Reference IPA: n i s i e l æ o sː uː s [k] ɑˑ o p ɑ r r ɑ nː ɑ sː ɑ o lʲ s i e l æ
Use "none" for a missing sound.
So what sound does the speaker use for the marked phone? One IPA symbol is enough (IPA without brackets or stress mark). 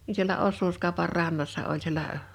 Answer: k